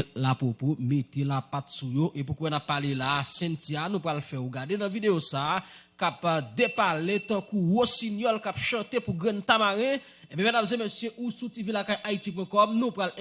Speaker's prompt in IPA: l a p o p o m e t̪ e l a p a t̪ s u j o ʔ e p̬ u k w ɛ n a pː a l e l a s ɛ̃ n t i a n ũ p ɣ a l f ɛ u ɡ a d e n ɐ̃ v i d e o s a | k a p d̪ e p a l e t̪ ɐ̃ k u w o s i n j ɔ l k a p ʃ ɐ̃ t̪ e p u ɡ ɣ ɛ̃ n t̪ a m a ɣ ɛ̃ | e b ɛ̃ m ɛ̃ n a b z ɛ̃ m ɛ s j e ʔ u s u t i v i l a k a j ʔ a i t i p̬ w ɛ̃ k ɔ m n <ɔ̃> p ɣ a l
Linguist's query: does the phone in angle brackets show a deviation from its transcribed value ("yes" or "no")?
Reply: yes